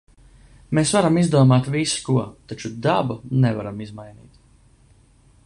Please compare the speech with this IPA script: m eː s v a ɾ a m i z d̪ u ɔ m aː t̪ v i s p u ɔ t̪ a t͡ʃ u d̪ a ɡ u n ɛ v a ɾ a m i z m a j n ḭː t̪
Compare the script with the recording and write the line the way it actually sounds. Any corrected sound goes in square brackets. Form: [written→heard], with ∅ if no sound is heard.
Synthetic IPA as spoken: m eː s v a ɾ a m i z d̪ u ɔ m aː t̪ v i s [p→k] u ɔ t̪ a t͡ʃ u d̪ a [ɡ→b] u n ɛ v a ɾ a m i z m a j n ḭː t̪